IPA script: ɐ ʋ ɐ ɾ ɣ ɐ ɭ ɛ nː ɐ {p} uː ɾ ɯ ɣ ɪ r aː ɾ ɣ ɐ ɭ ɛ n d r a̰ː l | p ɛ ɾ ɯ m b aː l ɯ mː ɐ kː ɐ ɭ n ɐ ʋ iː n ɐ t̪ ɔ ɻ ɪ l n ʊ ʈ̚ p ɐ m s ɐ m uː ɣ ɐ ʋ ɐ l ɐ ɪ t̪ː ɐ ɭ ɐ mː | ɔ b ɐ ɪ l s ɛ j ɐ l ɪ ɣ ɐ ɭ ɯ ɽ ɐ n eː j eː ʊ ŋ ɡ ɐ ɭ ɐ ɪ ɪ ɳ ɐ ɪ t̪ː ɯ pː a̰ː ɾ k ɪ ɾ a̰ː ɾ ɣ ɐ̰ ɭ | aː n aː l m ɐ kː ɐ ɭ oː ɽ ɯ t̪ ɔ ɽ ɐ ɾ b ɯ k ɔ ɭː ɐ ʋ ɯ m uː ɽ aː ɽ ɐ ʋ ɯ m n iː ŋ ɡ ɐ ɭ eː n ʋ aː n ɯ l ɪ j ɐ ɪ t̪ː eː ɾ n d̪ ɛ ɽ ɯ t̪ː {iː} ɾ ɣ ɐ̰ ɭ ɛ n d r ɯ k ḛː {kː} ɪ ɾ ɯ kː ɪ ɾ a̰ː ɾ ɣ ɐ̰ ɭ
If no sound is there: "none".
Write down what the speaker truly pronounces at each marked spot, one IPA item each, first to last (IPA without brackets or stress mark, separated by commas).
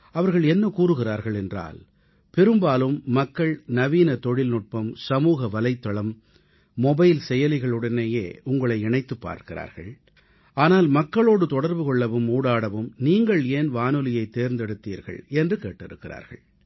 k, iː, ʈː